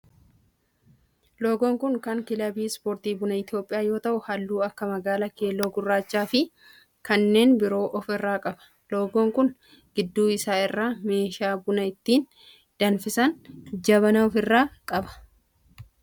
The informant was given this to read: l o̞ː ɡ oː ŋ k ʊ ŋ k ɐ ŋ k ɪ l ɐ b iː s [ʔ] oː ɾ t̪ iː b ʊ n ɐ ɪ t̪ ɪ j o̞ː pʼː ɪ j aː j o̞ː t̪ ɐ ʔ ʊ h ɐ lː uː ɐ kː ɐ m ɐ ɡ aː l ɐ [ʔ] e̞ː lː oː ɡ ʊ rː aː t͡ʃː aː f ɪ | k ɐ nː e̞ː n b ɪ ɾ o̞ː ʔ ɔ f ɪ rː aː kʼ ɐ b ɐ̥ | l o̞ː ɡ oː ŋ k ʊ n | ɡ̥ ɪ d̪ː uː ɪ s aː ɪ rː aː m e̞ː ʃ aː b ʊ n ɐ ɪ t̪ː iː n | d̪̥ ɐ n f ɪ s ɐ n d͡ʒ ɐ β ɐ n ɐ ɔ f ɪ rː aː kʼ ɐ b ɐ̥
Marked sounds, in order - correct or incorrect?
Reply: incorrect: p, incorrect: k

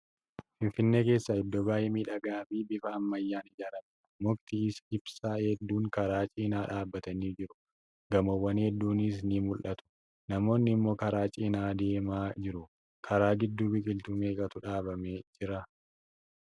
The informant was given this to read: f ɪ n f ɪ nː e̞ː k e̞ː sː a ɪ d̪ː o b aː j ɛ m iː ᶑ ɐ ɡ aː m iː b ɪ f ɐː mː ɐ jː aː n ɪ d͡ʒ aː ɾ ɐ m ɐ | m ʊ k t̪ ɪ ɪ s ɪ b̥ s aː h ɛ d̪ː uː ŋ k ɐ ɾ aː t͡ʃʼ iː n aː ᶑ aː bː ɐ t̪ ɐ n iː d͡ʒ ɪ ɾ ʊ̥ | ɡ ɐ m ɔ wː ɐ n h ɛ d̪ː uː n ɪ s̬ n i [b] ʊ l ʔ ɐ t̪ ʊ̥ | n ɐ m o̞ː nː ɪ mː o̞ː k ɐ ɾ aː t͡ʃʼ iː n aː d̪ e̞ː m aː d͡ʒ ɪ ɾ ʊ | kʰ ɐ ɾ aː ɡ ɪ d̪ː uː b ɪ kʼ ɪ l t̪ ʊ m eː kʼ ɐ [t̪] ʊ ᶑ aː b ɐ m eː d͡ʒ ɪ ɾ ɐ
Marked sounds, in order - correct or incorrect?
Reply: incorrect: m, correct

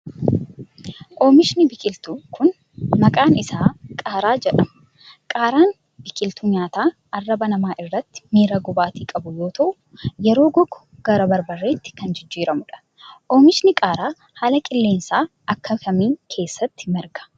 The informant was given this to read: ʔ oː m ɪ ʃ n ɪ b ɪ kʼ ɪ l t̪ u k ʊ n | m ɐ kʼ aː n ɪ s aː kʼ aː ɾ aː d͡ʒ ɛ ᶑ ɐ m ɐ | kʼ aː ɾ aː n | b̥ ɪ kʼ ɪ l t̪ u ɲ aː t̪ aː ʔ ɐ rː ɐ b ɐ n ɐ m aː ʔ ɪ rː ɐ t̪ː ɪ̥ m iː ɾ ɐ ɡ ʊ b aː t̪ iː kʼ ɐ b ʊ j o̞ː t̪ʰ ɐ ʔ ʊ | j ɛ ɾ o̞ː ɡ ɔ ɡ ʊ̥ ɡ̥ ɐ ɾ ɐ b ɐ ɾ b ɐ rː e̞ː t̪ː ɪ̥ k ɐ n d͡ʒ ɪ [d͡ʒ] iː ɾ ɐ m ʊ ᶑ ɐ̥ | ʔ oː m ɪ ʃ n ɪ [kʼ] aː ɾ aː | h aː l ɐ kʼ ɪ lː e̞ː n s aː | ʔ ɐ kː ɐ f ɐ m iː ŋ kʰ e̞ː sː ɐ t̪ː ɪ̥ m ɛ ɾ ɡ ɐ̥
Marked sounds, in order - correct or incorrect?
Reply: incorrect: d͡ʒː, correct

